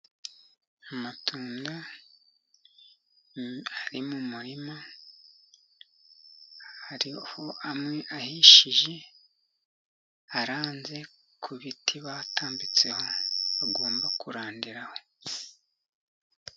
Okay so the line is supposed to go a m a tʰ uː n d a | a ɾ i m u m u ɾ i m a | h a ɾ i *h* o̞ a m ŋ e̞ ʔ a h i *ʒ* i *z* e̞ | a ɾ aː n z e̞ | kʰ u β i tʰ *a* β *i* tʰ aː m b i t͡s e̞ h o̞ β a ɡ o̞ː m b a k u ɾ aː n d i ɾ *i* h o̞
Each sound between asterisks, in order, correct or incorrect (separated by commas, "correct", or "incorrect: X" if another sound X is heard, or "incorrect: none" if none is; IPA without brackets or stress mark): correct, incorrect: ʃ, incorrect: ʒ, incorrect: i, incorrect: a, incorrect: a